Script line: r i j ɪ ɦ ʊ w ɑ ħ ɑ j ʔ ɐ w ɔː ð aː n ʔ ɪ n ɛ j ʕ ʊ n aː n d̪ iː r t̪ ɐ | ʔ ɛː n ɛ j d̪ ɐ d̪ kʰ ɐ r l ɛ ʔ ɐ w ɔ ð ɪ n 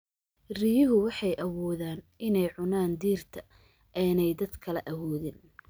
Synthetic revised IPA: r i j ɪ ɦ ʊ w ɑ ħ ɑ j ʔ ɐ w ɔː ð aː n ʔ ɪ n ɛ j ʕ ʊ n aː n d̪ iː r t̪ʰ ɐ | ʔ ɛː n ɛ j d̪ ɐ d̪ kʰ ɐ l ɛ ʔ ɐ w ɔː ð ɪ n